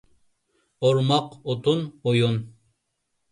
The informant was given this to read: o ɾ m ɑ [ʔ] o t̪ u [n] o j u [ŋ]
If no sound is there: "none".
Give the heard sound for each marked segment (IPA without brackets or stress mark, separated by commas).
q, n, n